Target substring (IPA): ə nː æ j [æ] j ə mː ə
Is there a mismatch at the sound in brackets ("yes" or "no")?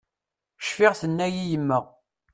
yes